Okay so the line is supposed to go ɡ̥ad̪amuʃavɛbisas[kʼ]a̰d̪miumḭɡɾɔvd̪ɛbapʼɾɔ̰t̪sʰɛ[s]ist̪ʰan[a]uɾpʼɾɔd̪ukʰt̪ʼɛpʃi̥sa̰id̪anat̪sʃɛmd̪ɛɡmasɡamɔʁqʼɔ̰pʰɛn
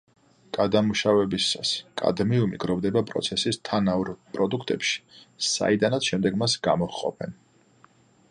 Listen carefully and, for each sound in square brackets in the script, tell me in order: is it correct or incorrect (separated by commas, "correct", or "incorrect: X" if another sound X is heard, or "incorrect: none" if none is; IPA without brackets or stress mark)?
correct, correct, correct